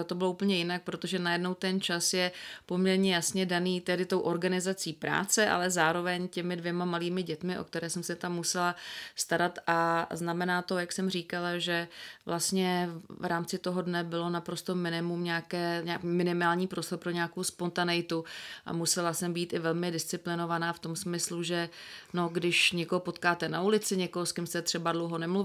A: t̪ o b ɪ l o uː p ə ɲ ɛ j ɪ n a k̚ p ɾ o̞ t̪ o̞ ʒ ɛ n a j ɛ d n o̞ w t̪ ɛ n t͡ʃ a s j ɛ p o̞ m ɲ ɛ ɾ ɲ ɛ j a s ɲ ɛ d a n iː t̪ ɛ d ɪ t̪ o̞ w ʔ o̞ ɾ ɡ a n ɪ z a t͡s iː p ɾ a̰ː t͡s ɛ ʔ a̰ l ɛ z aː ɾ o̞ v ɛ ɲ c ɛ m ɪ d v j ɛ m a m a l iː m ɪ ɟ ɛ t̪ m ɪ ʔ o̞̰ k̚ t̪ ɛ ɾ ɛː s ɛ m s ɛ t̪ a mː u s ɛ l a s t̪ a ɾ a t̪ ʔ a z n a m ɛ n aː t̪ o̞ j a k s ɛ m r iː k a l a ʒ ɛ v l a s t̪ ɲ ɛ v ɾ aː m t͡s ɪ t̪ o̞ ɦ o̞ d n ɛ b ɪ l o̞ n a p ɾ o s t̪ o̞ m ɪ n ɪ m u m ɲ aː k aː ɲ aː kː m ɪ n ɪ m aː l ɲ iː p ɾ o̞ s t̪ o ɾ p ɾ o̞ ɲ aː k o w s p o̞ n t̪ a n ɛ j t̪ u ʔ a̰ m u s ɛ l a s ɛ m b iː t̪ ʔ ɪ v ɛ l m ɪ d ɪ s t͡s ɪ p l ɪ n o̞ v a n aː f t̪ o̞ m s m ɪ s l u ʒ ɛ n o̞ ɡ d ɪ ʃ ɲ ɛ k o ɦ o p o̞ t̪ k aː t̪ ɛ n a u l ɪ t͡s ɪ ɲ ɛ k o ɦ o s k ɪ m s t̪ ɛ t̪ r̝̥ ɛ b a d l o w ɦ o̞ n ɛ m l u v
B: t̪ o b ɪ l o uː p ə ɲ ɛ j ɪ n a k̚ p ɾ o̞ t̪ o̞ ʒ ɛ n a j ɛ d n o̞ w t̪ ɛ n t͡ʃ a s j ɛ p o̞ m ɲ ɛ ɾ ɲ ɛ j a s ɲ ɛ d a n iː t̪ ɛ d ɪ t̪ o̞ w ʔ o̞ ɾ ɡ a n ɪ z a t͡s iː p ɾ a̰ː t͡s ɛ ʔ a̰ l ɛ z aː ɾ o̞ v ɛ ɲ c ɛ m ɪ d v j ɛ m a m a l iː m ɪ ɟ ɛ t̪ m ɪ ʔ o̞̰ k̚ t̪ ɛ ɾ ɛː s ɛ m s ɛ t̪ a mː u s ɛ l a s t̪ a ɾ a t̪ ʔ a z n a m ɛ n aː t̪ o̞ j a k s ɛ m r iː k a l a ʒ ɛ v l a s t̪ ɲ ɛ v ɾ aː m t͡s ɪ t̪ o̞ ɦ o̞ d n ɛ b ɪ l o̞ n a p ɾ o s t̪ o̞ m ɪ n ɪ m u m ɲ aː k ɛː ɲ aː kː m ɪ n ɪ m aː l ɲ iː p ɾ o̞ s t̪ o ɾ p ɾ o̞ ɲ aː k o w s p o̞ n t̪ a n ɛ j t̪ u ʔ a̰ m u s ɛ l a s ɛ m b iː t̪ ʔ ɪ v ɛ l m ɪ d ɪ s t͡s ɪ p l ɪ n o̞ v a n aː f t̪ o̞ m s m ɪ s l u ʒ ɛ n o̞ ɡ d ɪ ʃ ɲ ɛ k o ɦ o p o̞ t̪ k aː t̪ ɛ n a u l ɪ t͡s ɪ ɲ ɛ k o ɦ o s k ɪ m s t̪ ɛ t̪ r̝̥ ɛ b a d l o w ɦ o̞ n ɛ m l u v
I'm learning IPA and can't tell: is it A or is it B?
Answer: B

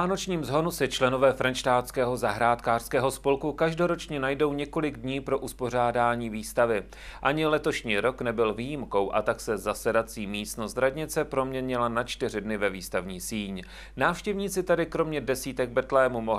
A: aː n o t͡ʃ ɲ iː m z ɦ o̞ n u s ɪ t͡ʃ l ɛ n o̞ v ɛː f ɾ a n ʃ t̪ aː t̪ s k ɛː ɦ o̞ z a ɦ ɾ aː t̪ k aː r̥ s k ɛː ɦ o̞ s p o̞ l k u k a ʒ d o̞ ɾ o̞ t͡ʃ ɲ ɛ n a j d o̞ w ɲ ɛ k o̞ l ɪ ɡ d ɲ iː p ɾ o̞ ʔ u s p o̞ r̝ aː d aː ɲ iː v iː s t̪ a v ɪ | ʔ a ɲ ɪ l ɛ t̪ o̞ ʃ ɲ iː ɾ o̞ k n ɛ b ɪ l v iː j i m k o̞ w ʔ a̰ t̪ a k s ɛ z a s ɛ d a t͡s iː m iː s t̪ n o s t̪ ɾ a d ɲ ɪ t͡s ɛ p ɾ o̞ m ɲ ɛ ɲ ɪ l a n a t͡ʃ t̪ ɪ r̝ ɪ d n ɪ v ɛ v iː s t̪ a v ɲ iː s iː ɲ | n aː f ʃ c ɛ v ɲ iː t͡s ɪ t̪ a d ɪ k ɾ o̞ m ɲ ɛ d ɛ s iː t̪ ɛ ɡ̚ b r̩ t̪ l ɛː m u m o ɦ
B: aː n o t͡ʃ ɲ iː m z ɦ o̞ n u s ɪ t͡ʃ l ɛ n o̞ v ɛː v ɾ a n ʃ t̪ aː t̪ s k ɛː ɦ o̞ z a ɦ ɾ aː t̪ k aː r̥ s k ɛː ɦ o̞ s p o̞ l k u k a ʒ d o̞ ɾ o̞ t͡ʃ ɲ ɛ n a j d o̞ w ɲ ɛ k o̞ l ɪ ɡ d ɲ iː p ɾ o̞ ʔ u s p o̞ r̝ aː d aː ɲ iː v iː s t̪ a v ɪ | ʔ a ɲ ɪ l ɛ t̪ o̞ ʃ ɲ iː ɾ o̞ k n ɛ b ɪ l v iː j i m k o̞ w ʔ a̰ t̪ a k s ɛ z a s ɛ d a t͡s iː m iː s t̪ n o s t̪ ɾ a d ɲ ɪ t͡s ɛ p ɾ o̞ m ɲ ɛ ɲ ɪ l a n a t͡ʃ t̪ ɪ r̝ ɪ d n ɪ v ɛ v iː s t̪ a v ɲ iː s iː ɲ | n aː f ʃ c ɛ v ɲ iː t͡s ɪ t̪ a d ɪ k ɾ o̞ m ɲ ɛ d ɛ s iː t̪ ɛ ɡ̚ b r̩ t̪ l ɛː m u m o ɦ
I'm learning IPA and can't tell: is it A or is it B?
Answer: A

